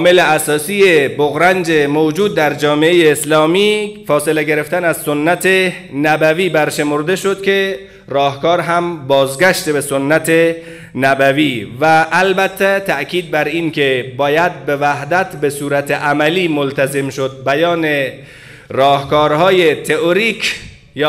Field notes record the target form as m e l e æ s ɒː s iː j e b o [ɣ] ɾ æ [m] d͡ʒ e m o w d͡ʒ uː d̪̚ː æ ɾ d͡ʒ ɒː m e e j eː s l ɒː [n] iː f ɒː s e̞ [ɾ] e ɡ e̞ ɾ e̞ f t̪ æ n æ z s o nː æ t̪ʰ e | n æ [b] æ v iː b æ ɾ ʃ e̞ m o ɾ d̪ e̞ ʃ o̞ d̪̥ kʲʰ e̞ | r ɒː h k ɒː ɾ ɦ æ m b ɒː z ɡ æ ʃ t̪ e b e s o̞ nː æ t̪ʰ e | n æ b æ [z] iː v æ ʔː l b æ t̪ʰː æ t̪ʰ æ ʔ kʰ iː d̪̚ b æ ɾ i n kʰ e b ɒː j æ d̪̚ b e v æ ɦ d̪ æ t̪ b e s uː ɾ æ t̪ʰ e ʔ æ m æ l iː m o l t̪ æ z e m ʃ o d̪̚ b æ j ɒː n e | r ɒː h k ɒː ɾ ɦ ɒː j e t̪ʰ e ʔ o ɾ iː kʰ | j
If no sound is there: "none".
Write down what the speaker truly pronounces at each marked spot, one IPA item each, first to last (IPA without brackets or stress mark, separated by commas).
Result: ɣ, n, m, l, b, v